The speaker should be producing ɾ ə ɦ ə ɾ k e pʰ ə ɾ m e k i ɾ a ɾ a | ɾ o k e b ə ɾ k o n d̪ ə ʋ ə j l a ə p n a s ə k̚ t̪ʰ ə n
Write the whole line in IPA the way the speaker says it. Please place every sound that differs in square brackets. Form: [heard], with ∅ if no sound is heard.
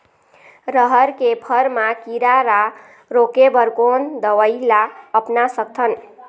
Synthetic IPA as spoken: ɾ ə ɦ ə ɾ k e pʰ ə ɾ m [a] k i ɾ a ɾ a | ɾ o k e b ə ɾ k o n d̪ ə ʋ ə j l a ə p n a s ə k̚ t̪ʰ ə n